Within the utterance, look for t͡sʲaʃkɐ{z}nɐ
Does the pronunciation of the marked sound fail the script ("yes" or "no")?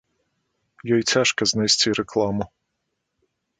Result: no